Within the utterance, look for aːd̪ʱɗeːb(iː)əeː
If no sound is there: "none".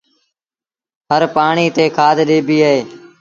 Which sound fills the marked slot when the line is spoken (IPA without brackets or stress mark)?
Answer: iː